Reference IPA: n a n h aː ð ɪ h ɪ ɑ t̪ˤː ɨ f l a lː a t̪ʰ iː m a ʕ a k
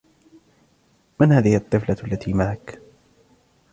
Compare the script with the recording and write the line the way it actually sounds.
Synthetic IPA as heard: m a n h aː ð ɪ h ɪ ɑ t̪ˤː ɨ f l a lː a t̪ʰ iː m a ʕ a k